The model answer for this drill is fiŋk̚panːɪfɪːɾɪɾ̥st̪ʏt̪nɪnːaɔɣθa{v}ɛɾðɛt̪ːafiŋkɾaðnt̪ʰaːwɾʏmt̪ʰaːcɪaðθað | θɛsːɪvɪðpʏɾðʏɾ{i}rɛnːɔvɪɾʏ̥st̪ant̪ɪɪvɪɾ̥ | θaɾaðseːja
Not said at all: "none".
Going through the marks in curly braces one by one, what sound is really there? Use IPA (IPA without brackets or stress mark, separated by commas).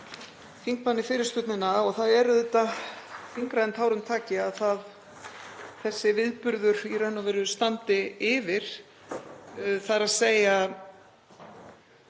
ð, i